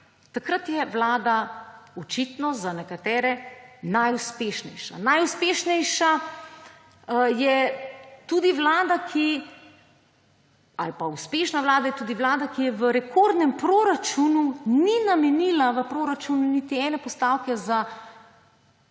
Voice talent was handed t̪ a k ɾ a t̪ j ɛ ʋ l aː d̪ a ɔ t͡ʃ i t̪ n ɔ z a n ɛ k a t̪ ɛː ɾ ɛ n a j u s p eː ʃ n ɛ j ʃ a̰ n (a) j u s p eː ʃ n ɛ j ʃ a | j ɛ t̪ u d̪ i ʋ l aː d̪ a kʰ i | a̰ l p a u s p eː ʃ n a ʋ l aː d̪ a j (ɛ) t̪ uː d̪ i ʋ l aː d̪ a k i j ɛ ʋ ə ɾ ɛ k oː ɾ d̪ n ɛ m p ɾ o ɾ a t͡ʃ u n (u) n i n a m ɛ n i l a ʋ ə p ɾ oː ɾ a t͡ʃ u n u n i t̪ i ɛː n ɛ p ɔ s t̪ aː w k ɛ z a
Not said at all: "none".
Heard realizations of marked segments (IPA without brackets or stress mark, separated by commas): a, ɛ, u